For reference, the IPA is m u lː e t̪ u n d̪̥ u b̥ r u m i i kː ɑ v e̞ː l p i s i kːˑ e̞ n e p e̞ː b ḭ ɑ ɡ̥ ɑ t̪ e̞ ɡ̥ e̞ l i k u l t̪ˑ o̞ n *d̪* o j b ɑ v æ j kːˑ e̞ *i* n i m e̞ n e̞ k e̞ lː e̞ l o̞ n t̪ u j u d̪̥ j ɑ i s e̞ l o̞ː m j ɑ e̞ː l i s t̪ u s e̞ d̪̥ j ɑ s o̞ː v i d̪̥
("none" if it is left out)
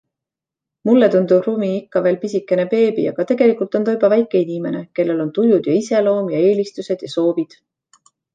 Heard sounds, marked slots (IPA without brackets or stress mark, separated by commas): t̪, i